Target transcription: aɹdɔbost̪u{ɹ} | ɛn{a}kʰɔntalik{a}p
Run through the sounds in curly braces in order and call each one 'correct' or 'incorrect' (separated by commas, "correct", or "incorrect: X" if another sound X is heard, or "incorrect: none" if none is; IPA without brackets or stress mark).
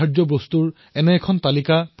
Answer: correct, incorrect: ɛ, correct